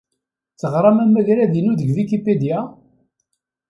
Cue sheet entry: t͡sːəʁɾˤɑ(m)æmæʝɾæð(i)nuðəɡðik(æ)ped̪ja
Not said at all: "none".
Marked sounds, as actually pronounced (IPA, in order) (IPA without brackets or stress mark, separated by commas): m, i, i